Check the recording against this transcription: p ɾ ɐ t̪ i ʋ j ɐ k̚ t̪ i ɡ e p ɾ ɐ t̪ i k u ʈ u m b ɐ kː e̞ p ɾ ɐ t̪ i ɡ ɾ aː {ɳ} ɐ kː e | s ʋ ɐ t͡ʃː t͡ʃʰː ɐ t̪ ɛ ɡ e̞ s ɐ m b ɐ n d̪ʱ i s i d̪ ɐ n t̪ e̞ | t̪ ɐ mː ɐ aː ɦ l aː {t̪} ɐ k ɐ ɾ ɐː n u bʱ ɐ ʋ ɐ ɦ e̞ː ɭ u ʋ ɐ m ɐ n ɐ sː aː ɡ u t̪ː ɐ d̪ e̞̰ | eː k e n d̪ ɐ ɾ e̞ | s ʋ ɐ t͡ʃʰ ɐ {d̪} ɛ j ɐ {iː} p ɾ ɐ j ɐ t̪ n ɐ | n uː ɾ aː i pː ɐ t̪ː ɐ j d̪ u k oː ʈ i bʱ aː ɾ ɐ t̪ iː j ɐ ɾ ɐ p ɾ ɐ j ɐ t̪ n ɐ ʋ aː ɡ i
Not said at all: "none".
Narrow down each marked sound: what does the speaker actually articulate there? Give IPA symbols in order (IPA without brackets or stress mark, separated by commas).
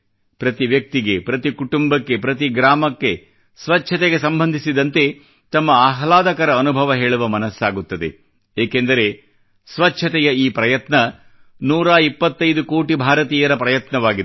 m, d̪, t̪, iː